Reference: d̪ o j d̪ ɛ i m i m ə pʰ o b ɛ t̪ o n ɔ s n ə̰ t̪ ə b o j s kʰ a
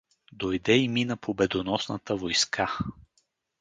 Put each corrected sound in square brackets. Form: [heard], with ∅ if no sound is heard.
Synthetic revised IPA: d̪ o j d̪ ɛ i m i [n] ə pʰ o b ɛ [d̪] o n ɔ s n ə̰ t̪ ə [v] o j s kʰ a